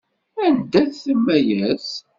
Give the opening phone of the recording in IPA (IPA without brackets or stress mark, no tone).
æ